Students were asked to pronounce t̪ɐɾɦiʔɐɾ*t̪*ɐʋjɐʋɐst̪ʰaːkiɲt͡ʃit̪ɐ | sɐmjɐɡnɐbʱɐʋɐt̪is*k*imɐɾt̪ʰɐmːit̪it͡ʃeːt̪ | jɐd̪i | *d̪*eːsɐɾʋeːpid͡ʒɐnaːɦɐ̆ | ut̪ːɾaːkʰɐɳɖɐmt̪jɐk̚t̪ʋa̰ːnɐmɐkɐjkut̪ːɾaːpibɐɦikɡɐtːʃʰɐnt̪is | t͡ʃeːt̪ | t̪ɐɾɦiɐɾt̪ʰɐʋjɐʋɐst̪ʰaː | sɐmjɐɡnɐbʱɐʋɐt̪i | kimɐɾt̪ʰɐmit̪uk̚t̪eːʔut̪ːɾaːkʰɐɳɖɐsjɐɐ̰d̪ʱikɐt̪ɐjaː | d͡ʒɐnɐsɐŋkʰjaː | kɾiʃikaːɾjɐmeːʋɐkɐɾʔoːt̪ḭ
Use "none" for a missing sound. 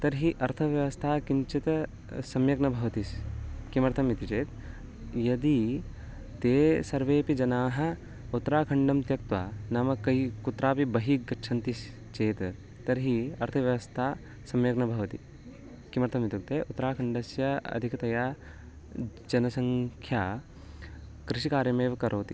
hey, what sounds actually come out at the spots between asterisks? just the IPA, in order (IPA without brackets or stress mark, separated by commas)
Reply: t̪ʰ, k, t̪